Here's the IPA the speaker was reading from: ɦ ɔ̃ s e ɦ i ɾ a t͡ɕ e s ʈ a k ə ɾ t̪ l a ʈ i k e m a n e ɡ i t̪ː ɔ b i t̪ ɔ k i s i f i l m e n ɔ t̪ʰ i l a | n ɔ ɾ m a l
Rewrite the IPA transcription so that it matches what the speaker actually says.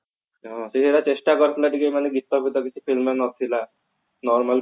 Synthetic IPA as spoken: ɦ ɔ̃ s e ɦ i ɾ a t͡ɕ e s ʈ a k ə ɾ t̪ l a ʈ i k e m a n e ɡ i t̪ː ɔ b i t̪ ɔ k i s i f i l m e n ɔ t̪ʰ i l a | n ɔ ɾ m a l